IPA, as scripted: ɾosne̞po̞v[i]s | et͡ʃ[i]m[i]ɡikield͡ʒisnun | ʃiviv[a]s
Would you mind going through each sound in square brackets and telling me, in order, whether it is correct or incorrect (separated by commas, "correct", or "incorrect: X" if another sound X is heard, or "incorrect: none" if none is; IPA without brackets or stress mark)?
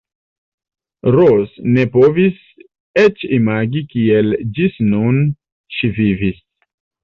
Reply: correct, correct, incorrect: a, incorrect: i